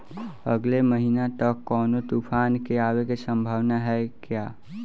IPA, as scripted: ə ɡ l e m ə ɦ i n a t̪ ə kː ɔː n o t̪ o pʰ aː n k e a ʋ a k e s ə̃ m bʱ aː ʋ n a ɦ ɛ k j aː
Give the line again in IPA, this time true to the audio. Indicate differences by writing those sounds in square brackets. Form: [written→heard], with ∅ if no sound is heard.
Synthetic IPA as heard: ə ɡ l e m ə ɦ i n a t̪ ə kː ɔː n o t̪ [o→u] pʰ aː n k e a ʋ [a→e] k e s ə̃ m bʱ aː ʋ n a ɦ ɛ k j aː